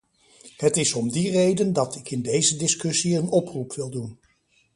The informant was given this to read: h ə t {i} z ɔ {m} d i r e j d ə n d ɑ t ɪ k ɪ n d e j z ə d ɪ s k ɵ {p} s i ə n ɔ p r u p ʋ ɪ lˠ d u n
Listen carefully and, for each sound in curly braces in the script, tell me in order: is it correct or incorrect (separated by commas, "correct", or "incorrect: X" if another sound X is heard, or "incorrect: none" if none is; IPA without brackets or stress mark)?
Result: incorrect: ɪ, correct, incorrect: none